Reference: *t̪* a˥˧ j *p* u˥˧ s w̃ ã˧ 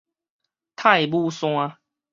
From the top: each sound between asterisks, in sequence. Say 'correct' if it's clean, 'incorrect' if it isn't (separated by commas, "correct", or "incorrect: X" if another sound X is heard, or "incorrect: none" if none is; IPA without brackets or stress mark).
incorrect: t̪ʰ, incorrect: b